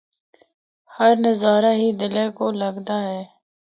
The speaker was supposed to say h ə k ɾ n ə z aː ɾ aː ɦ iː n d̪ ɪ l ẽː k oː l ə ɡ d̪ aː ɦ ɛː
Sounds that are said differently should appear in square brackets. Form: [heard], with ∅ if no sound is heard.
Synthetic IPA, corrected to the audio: h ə [∅] ɾ n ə z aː ɾ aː ɦ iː [∅] d̪ ɪ l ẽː k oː l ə ɡ d̪ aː ɦ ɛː